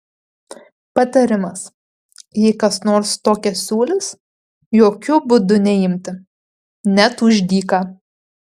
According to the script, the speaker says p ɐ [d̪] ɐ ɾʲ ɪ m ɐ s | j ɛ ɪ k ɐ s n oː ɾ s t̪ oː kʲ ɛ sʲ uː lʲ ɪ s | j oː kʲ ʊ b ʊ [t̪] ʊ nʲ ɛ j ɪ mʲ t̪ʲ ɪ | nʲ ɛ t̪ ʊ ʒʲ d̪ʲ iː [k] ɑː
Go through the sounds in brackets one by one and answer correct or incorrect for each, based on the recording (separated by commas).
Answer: incorrect, incorrect, correct